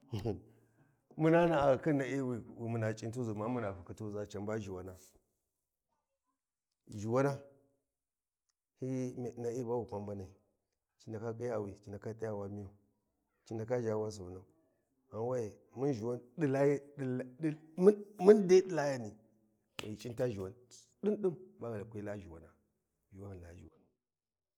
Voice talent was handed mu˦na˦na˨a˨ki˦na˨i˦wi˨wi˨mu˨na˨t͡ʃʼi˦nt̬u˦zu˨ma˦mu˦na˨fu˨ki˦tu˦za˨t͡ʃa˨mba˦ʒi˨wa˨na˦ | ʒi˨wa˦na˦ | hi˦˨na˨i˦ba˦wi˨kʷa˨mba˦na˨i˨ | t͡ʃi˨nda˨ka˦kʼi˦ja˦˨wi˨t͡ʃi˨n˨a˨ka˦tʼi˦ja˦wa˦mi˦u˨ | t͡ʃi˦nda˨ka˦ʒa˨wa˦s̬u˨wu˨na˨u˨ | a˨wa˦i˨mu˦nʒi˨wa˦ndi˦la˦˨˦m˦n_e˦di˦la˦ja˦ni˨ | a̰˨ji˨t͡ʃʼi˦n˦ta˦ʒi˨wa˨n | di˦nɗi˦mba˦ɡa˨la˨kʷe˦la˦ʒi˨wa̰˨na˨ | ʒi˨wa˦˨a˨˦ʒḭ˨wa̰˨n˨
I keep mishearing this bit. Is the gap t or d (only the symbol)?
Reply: d